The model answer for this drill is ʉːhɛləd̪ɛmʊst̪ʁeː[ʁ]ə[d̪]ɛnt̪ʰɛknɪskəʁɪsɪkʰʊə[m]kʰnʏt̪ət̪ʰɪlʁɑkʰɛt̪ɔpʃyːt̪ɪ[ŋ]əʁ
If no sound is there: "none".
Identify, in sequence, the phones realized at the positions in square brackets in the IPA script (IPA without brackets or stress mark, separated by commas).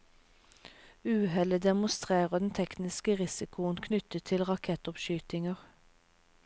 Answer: ʁ, d̪, n, ŋ